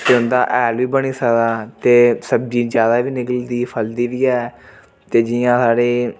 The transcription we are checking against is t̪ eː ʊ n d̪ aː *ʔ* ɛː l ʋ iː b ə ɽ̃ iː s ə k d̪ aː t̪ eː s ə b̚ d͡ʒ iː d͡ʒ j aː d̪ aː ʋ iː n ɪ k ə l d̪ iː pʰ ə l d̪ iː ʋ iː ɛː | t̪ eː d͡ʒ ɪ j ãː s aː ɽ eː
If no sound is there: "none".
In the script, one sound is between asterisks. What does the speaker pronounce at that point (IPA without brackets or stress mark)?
ʔ